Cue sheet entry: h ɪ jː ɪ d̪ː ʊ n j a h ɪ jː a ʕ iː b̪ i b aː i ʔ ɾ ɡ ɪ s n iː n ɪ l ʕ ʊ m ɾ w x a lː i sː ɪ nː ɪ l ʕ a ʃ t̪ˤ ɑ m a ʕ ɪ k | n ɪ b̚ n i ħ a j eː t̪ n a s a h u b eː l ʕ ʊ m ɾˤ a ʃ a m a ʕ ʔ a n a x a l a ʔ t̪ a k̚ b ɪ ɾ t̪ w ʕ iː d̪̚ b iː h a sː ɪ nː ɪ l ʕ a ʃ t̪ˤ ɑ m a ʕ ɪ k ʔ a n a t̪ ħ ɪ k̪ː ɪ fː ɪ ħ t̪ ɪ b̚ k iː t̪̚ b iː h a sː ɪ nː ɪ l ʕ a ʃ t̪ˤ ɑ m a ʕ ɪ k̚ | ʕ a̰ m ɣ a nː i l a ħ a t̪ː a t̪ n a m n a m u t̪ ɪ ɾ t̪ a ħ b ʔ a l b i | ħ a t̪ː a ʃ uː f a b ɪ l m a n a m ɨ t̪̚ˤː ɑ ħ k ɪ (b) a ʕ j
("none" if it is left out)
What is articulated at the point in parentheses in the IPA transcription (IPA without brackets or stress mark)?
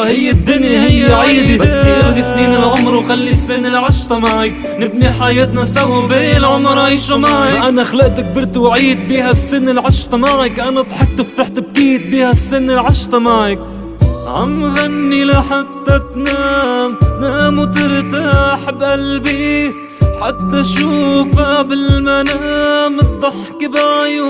b